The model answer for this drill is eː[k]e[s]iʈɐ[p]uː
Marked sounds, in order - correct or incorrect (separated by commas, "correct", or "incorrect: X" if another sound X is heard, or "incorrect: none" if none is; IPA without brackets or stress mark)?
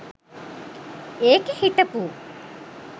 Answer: correct, incorrect: h, correct